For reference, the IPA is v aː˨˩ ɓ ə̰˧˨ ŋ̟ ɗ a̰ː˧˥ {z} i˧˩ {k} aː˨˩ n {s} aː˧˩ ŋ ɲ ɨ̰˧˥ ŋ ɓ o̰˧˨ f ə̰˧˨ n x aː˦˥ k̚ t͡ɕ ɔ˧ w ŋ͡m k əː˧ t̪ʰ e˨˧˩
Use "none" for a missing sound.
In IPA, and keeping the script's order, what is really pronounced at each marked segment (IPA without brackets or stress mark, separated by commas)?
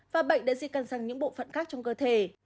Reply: z, k, s